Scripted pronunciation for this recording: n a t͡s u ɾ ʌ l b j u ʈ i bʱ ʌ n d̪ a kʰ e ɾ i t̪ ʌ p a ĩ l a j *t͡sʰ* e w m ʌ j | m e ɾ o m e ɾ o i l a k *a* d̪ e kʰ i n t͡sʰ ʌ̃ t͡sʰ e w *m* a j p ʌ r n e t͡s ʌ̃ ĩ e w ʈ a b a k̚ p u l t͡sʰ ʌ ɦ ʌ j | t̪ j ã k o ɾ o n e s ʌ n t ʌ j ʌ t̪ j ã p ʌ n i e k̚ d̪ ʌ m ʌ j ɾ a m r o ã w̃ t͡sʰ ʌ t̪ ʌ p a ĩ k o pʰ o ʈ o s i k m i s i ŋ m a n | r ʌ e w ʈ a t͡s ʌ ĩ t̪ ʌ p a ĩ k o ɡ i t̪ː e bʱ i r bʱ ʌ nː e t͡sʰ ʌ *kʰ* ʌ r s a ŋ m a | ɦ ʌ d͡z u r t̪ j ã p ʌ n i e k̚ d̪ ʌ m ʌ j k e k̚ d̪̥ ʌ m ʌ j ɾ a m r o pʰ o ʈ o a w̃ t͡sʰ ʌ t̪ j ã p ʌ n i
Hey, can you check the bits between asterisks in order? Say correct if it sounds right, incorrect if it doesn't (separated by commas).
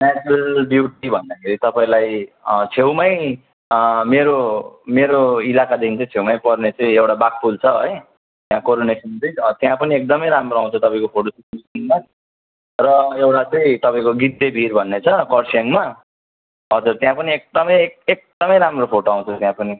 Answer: correct, correct, correct, incorrect